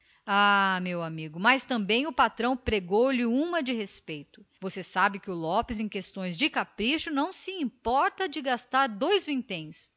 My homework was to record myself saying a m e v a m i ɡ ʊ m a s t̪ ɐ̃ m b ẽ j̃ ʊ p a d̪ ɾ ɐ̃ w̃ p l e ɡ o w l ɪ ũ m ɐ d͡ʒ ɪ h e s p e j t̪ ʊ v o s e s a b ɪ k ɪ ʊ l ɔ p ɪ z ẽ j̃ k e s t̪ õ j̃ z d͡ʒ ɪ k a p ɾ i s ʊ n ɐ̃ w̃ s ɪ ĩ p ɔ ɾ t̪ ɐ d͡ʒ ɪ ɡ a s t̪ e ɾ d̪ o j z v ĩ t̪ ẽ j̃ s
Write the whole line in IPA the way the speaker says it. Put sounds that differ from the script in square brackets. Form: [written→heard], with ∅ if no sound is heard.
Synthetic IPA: a m e [v→w] a m i ɡ ʊ m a s t̪ ɐ̃ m b ẽ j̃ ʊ p a [d̪→t̪] ɾ ɐ̃ w̃ p [l→ɾ] e ɡ o w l ɪ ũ m ɐ d͡ʒ ɪ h e s p e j t̪ ʊ v o s e s a b ɪ k ɪ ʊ l ɔ p ɪ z ẽ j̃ k e s t̪ õ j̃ z d͡ʒ ɪ k a p ɾ i [s→ʃ] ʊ n ɐ̃ w̃ s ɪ ĩ p ɔ ɾ t̪ ɐ d͡ʒ ɪ ɡ a s t̪ [e→a] ɾ d̪ o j z v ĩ t̪ ẽ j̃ s